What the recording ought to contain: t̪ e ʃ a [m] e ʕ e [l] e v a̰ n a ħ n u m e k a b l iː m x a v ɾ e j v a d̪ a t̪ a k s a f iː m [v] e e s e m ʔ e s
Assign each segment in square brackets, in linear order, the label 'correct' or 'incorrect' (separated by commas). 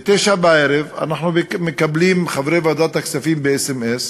incorrect, incorrect, incorrect